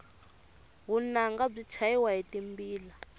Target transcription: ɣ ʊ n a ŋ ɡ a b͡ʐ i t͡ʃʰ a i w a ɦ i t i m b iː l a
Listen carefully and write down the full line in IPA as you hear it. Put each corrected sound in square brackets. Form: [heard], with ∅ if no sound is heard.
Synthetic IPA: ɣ [u] n a ŋ ɡ a b͡ʐ i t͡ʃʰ a i w a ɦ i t i m b iː l a